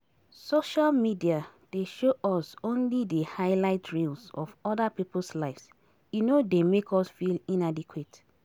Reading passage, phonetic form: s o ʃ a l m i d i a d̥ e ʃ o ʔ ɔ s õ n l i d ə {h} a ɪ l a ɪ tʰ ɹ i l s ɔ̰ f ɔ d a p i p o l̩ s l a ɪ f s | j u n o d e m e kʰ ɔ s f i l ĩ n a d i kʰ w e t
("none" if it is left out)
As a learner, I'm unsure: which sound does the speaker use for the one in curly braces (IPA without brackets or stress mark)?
h